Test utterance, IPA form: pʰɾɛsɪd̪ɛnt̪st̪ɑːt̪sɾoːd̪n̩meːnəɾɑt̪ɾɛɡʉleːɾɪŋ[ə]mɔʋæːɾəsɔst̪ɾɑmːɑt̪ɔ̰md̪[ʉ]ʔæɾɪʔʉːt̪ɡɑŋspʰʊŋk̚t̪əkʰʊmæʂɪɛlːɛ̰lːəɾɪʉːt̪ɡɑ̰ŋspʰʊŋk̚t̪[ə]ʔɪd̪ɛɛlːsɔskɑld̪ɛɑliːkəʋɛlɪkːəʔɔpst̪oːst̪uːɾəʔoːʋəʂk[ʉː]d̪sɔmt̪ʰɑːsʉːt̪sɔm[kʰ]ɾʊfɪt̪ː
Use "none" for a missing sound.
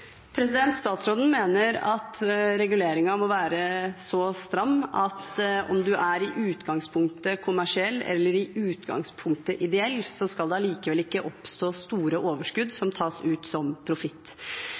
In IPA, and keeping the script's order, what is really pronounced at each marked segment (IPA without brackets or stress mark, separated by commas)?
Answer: ɑ, ʉ, ə, ʉ, pʰ